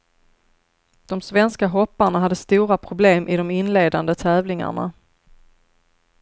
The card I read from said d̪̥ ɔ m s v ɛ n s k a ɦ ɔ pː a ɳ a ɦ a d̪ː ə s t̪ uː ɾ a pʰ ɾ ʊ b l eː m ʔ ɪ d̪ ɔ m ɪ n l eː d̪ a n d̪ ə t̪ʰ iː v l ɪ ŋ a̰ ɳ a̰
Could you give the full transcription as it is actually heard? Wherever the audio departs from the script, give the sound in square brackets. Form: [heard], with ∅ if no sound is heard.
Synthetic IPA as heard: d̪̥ ɔ m s v ɛ n s k a ɦ ɔ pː a ɳ a ɦ a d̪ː ə s t̪ uː ɾ a pʰ ɾ ʊ b l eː m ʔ ɪ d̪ ɔ m ɪ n l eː d̪ a n d̪ ə t̪ʰ [ɛː] v l ɪ ŋ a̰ ɳ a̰